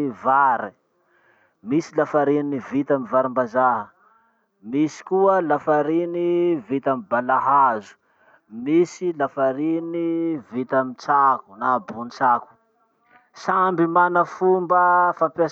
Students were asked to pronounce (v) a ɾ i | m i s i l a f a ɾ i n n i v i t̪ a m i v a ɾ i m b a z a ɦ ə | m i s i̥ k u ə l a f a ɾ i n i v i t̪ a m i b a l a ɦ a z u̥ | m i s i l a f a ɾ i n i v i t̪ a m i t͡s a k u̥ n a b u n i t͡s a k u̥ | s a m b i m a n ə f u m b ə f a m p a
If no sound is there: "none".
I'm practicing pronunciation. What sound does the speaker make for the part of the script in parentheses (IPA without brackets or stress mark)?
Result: v